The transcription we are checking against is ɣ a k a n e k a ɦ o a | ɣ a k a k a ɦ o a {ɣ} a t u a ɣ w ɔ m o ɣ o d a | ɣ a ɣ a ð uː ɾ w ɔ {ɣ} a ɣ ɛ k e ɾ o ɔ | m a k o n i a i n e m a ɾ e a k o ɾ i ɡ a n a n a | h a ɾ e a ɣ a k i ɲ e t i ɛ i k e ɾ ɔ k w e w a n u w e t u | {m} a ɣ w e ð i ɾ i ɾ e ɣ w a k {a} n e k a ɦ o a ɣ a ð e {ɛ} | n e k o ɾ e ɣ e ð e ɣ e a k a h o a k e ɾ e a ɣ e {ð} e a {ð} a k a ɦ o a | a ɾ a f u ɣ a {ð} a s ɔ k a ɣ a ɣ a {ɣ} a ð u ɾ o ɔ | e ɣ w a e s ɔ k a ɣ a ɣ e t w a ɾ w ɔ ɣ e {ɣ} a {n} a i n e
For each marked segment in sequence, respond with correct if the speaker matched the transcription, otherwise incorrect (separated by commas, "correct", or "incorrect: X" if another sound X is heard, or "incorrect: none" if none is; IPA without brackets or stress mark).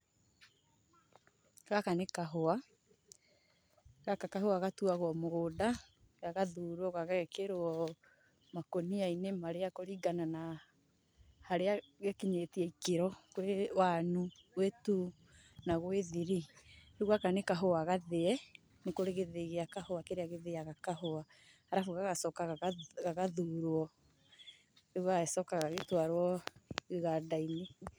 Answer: correct, correct, incorrect: n, correct, correct, correct, incorrect: ɣ, incorrect: ɣ, correct, correct, incorrect: d